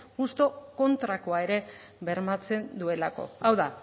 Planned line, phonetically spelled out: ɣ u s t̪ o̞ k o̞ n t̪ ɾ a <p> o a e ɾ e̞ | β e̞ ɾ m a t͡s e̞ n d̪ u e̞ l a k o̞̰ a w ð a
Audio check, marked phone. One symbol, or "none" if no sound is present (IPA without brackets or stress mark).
k